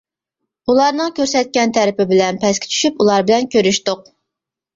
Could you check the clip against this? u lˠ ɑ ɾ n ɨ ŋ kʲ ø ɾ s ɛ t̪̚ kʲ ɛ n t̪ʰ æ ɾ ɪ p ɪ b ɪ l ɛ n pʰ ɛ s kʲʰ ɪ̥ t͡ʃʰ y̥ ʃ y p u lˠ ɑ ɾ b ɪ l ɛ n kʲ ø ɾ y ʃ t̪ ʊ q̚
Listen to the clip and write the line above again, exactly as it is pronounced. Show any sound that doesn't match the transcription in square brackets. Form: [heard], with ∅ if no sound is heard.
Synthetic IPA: u lˠ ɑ ɾ n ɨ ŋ kʲ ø ɾ s ɛ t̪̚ kʲ ɛ n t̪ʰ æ ɾ ɪ p ɪ b ɪ l ɛ n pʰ ɛ s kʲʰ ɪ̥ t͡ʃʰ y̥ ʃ y p u lˠ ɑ ɾ b ɪ l ɛ n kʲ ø ɾ y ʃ t̪ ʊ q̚